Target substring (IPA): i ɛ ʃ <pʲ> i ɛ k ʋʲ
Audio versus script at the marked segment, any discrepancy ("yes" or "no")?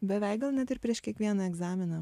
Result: yes